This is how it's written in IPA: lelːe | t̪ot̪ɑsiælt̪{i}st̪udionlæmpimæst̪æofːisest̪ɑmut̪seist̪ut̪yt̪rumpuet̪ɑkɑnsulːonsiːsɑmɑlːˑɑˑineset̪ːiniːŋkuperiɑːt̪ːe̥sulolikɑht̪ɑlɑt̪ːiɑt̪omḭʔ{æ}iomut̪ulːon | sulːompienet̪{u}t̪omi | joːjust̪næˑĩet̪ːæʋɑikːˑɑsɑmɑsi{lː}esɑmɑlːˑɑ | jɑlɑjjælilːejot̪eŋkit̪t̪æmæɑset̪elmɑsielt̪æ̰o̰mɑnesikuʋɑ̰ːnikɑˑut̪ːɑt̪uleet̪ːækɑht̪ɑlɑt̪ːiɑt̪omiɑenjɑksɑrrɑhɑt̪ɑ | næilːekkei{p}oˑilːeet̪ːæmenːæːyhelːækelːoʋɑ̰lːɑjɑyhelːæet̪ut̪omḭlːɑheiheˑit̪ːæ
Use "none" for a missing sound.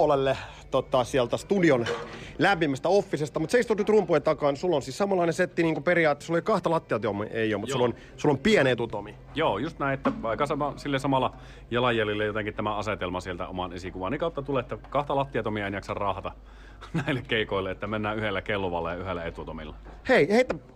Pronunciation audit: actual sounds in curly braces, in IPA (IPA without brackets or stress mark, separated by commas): æ, e, u, lː, k